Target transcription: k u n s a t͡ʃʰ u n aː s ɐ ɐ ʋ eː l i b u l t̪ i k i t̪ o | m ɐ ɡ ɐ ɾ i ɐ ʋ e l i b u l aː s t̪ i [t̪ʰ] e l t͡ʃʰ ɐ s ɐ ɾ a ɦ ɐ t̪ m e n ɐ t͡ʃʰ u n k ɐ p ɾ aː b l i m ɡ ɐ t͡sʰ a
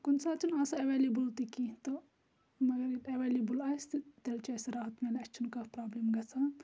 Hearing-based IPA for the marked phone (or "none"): t̪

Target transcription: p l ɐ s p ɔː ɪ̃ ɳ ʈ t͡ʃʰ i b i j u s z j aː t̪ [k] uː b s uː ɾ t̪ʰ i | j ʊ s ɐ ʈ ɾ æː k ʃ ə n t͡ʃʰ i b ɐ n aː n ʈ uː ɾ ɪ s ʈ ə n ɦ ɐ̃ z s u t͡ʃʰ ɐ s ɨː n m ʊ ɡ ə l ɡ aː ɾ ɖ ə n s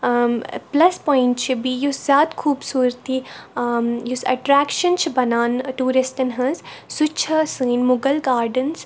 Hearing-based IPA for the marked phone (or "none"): kʰ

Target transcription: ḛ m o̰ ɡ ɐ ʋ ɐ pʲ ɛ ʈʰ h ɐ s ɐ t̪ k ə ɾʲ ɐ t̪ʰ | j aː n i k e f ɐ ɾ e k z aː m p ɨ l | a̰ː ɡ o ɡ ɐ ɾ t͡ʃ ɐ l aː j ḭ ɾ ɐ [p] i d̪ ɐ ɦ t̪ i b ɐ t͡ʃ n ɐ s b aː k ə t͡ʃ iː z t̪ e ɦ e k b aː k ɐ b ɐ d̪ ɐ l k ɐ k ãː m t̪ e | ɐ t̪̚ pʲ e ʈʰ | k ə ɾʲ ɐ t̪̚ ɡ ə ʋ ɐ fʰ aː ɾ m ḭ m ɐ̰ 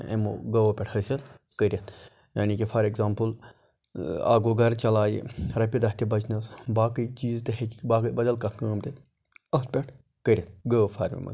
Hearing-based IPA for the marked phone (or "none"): p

